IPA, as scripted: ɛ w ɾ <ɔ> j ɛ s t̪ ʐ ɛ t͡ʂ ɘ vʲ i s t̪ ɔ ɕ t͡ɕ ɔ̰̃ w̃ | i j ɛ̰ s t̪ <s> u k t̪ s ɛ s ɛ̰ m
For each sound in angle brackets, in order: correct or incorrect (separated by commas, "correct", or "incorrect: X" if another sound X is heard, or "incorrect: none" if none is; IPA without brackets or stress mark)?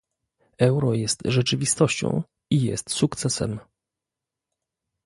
correct, correct